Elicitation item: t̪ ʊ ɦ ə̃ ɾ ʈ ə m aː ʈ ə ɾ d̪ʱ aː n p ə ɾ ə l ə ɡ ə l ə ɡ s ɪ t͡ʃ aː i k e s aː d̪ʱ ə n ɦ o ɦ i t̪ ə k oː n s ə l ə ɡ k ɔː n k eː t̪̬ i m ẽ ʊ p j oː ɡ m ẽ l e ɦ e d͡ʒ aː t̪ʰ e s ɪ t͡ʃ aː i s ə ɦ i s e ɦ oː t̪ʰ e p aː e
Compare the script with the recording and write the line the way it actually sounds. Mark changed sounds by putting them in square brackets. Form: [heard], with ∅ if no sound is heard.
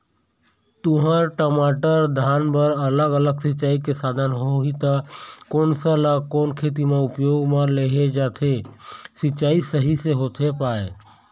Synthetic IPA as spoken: t̪ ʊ ɦ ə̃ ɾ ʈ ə m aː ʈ ə ɾ d̪ʱ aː n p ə ɾ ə l ə ɡ ə l ə ɡ s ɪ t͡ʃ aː i k e s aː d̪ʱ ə n ɦ o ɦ i t̪ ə k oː n s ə l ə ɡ k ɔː n [kʰ] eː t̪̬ i m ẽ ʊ p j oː ɡ m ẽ l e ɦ e d͡ʒ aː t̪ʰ e s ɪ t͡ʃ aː i s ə ɦ i s e ɦ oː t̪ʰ e p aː e

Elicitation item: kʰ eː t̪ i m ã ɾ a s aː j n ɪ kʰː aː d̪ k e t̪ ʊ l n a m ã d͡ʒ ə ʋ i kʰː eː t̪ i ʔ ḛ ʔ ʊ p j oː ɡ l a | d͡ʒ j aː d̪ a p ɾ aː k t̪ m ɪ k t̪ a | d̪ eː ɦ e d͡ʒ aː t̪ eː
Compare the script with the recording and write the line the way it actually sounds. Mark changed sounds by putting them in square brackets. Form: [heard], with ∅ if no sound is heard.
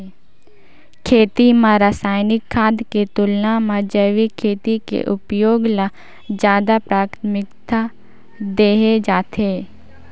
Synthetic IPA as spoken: kʰ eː t̪ i m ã ɾ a s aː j n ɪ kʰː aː d̪ k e t̪ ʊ l n a m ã d͡ʒ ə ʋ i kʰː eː t̪ i [k] ḛ ʔ ʊ p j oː ɡ l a | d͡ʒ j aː d̪ a p ɾ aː k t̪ m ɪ k t̪ a | d̪ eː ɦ e d͡ʒ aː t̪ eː

